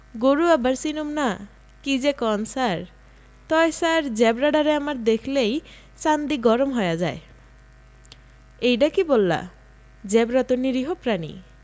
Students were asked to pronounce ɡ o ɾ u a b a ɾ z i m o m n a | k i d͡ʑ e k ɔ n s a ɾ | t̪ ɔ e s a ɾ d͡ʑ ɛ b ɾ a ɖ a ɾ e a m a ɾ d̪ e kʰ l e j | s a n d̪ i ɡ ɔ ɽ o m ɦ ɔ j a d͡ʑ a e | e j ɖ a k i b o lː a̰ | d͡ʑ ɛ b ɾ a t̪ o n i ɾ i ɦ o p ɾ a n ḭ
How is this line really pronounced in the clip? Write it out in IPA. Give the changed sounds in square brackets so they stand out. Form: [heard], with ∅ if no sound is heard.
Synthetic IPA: ɡ o ɾ u a b a ɾ [s] i [n] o m n a | k i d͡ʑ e k ɔ n s a ɾ | t̪ ɔ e s a ɾ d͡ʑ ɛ b ɾ a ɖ a ɾ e a m a ɾ d̪ e kʰ l e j | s a n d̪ i ɡ ɔ [ɾ] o m ɦ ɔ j a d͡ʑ a e | e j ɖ a k i b o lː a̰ | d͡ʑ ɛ b ɾ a t̪ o n i ɾ i ɦ o p ɾ a n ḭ